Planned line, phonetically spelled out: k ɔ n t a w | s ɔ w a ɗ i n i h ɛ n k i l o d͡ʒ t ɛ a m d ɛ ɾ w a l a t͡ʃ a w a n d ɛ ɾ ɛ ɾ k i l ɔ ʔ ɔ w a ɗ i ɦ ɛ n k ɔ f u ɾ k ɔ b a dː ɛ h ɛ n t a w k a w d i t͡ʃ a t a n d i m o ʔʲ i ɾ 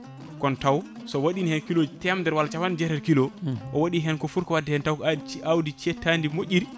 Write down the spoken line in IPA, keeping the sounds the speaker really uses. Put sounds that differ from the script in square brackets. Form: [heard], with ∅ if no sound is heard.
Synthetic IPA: k ɔ n t a w | s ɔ w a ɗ i n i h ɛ n k i l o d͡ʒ t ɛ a m d ɛ ɾ w a l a t͡ʃ a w a n [d͡ʒ] ɛ ɾ ɛ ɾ k i l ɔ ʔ ɔ w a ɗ i ɦ ɛ n k ɔ f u ɾ k ɔ [w] a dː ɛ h ɛ n t a w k a w d i t͡ʃ [ɛ] t a n d i m o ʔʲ i ɾ